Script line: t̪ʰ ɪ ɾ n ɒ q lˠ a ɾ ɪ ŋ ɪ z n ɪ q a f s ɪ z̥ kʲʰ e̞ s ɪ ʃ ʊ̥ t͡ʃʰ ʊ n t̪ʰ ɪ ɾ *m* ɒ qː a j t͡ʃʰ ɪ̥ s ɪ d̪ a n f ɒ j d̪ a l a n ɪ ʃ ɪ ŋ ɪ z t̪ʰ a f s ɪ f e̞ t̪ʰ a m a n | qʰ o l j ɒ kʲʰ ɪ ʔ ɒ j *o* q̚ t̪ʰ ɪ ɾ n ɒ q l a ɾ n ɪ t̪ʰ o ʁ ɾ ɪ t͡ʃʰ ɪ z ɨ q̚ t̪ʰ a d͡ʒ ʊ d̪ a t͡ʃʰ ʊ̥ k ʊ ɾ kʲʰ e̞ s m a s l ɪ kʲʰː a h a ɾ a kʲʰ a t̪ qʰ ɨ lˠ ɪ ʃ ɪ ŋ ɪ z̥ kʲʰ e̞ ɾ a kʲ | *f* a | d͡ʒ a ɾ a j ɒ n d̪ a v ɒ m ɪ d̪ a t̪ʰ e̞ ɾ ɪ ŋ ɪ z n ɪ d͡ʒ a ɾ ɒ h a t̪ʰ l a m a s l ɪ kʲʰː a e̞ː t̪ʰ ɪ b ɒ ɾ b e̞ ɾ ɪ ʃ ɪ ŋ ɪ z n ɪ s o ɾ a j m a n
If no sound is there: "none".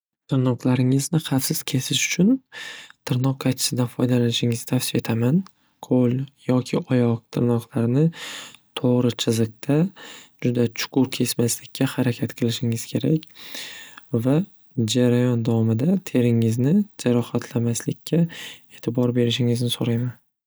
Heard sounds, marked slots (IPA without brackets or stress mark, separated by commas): n, ɒ, v